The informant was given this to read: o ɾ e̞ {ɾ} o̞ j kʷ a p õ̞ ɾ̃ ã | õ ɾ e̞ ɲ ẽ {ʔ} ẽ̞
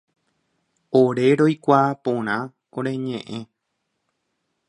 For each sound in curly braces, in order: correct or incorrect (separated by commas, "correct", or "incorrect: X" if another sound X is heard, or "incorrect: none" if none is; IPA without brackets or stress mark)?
correct, correct